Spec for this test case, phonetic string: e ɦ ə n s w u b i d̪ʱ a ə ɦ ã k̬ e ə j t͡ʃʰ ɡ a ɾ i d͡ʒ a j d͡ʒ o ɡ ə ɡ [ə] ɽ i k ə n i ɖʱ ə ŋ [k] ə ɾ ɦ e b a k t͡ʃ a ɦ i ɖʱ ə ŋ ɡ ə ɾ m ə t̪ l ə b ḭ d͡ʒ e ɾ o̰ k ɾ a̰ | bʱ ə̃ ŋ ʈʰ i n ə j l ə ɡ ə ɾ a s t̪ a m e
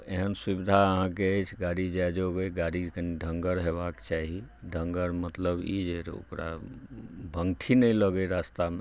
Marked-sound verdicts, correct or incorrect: incorrect: a, incorrect: ɡ

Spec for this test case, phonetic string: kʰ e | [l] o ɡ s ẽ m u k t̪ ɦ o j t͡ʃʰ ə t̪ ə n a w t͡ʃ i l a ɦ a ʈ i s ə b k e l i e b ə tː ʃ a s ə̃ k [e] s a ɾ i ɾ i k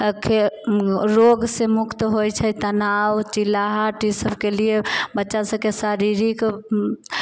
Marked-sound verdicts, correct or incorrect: incorrect: ɾ, correct

